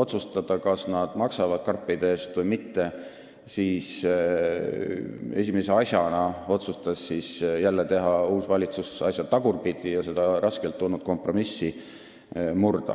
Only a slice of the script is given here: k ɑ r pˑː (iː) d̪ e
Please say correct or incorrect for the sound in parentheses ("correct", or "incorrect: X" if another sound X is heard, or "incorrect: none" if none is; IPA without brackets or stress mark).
incorrect: i